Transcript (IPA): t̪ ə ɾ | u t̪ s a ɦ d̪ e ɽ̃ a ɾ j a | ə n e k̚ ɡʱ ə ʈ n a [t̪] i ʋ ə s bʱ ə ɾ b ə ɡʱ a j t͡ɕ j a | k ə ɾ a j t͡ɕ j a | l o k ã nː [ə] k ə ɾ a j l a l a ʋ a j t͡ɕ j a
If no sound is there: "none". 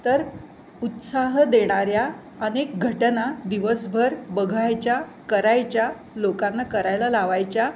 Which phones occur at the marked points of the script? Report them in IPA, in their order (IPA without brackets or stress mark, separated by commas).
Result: d̪, a